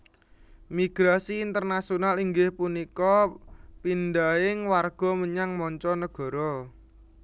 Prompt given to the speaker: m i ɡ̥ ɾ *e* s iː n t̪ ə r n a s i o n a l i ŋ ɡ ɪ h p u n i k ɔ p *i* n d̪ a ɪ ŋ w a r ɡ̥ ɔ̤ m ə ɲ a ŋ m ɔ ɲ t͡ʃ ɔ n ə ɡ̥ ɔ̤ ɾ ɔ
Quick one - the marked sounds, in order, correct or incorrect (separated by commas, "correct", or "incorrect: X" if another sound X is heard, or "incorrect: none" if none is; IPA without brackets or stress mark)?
incorrect: a, correct